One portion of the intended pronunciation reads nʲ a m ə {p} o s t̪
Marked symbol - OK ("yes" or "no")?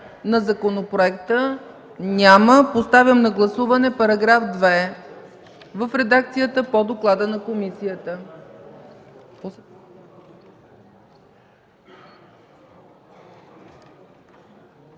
yes